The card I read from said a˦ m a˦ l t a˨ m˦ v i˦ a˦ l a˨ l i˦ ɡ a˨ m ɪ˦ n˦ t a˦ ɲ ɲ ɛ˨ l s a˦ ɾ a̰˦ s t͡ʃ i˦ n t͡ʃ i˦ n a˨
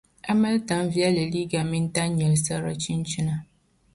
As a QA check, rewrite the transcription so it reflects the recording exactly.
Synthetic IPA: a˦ m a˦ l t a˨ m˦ v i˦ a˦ l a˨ l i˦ ɡ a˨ m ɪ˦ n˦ t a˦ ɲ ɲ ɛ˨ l s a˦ ɾ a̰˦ t͡ʃ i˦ n t͡ʃ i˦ n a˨